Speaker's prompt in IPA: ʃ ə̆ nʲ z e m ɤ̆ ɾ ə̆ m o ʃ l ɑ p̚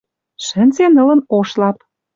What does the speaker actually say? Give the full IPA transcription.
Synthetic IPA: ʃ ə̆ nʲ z e n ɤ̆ l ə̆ n o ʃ l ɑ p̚